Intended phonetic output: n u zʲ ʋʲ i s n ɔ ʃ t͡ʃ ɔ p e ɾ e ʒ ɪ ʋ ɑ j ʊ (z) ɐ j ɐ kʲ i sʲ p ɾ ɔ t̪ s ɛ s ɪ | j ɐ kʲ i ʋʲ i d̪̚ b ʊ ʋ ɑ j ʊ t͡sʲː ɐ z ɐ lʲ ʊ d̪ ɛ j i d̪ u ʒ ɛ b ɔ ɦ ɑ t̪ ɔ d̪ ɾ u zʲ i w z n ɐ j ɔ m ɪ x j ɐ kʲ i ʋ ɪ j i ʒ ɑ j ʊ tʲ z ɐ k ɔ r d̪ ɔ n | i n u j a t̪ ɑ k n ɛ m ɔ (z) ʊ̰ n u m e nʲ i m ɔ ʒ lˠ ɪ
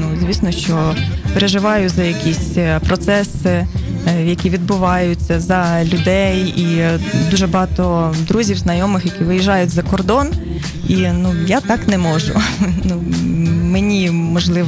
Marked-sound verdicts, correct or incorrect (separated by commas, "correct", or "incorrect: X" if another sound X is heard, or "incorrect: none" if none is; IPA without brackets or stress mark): correct, incorrect: ʒ